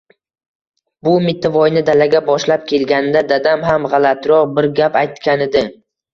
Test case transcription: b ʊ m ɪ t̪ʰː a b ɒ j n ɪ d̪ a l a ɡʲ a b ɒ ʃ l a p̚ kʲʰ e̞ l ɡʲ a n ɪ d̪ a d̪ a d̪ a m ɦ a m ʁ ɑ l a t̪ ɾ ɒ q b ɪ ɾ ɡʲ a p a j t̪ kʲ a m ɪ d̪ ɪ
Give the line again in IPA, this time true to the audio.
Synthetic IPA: b ʊ m ɪ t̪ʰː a v ɒ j n ɪ d̪ a l a ɡʲ a b ɒ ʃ l a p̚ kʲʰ e̞ l ɡʲ a n ɪ d̪ a d̪ a d̪ a m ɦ a m ʁ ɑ l a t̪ ɾ ɒ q b ɪ ɾ ɡʲ a p a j t̪ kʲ a n ɪ d̪ ɪ